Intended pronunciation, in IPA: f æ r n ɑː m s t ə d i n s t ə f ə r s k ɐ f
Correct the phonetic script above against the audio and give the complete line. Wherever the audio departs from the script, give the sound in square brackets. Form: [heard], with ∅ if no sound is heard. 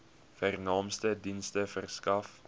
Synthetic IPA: f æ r n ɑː m s t ə d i n s t ə f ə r s k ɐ f

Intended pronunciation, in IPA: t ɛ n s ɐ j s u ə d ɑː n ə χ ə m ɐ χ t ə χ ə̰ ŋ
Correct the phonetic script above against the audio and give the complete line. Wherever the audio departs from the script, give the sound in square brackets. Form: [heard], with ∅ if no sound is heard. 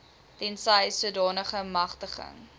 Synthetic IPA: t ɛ n s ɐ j s u ə d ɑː n ə χ ə m ɐ χ t ə χ ə̰ ŋ

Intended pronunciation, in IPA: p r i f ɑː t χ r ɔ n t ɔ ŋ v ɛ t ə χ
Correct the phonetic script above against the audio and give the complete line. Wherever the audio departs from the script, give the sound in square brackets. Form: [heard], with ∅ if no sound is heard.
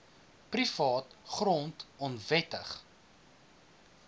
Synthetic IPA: p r i f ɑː t χ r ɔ n t ɔ [n] v ɛ t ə χ

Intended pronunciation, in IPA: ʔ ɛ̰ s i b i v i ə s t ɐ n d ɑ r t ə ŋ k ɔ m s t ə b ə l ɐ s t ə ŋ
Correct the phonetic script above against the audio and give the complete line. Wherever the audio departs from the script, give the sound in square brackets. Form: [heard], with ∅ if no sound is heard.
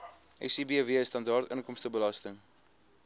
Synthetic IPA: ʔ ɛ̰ s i b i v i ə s t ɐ n d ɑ r t ə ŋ k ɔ m s t ə b ə l ɐ s t ə ŋ

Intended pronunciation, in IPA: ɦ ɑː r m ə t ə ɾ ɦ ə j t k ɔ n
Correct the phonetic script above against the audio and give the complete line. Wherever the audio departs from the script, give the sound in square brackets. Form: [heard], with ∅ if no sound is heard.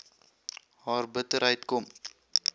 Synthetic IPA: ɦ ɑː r [b] ə t ə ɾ ɦ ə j t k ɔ [m]

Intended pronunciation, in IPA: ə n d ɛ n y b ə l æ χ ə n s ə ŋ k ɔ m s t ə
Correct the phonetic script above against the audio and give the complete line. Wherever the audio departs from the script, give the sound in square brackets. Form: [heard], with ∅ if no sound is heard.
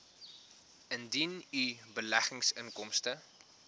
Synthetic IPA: ə n d [i] n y b ə l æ χ ə [ŋ] s ə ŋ k ɔ m s t ə

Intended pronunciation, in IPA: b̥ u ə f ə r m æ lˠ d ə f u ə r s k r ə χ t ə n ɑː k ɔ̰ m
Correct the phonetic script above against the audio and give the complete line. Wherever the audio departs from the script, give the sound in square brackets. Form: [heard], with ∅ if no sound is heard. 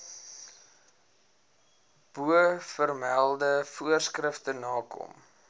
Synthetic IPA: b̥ u ə f ə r m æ lˠ d ə f u ə r s k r ə [f] t ə n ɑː k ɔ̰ m

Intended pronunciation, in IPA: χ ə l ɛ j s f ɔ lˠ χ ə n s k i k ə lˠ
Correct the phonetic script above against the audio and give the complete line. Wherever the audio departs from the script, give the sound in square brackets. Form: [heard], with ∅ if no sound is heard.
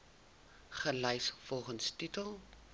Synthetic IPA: χ ə l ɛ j s f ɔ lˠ χ ə n s [t] i [t] ə lˠ

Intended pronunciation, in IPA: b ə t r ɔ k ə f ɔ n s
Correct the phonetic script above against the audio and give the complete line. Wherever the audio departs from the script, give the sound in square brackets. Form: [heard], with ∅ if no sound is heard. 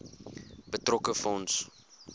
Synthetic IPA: b ə t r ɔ k ə f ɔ n s

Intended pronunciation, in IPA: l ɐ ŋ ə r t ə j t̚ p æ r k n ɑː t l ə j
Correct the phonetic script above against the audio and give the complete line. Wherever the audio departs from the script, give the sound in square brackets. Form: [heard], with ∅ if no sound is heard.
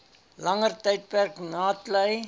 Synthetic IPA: l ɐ ŋ ə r t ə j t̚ p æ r k n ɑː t l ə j

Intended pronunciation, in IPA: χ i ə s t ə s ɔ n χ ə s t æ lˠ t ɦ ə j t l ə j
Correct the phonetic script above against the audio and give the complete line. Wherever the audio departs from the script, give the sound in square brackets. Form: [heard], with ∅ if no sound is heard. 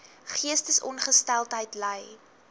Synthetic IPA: χ i ə s t ə s ɔ n χ ə s t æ lˠ t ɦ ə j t l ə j

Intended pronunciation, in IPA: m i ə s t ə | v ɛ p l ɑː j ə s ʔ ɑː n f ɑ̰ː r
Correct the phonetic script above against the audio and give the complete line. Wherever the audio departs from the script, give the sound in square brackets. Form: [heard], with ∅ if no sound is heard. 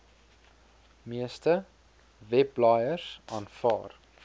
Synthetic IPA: m i ə s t ə | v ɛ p l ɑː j ə s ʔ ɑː n f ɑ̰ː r

